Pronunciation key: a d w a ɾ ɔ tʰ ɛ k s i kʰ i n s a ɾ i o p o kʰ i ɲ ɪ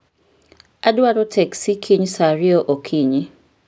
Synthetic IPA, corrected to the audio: a d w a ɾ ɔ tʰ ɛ k s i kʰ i ɲ s a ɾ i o ʔ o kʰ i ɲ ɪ